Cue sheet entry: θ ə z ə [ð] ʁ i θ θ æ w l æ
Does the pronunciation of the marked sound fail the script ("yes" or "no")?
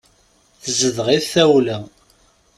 no